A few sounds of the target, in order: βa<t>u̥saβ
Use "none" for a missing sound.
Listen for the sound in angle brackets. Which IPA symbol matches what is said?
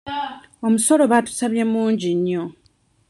t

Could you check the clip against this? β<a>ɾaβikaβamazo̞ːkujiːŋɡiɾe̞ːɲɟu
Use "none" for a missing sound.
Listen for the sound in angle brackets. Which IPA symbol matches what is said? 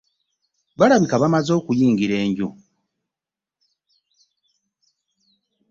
a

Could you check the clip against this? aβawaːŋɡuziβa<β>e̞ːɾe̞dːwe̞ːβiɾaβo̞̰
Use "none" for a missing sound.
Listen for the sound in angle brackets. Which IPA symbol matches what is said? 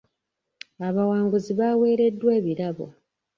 w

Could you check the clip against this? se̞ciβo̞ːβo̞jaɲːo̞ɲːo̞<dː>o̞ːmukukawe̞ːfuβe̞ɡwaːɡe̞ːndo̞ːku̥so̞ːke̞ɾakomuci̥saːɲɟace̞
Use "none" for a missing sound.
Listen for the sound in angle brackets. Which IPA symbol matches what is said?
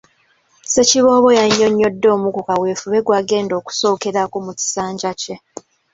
dː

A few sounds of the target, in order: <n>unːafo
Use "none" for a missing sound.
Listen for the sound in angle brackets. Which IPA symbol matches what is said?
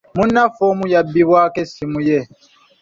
m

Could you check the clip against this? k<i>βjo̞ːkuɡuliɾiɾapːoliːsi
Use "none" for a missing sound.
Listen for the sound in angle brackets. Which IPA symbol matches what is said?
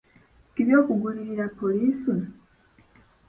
i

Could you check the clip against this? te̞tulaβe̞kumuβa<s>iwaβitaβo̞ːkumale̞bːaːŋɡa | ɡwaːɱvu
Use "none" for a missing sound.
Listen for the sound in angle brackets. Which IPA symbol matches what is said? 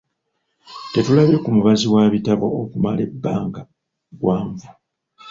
z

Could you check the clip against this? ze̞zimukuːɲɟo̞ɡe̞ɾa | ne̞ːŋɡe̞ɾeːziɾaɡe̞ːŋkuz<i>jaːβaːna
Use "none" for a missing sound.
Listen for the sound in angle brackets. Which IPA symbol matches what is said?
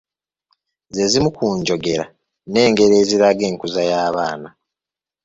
a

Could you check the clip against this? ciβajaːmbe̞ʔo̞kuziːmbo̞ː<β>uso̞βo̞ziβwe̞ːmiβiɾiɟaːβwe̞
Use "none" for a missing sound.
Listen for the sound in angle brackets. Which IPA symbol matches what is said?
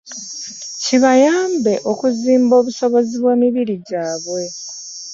β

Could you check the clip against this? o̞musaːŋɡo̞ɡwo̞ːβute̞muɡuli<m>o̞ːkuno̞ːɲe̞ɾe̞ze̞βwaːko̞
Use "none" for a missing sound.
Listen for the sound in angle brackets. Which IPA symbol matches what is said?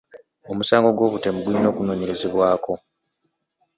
n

